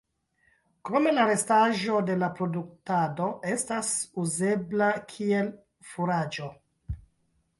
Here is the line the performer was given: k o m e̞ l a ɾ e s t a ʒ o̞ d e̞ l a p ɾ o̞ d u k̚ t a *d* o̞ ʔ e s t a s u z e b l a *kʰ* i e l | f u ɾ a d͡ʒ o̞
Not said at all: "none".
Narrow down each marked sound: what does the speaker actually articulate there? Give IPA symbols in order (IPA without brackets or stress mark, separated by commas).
d, kʰ